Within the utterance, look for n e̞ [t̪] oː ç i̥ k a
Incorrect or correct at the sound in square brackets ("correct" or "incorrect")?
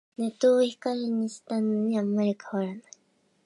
correct